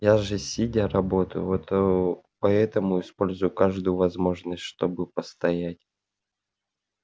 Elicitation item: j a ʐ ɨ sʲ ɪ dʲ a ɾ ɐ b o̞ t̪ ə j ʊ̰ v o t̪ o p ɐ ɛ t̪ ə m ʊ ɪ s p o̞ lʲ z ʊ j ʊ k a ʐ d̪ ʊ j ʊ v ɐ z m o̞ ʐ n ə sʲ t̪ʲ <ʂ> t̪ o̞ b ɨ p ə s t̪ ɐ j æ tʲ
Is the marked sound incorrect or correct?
correct